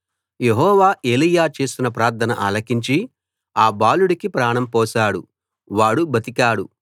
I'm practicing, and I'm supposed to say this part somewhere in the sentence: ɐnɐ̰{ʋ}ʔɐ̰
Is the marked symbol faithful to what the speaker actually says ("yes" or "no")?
no